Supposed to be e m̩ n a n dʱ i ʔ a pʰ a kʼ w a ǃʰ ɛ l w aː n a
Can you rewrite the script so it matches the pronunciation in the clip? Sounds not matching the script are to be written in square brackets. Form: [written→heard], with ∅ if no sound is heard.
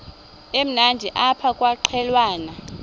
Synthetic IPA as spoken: e m̩ n a n dʱ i ʔ a pʰ a kʼ w a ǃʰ ɛ l w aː n a